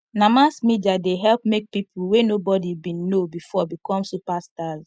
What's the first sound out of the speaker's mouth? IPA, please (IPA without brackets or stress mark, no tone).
n